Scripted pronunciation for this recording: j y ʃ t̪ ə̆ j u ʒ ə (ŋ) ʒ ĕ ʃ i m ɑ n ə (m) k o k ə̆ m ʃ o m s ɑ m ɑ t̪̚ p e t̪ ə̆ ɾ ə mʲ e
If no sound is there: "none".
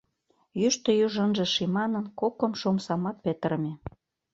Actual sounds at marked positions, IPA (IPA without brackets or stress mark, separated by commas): n, n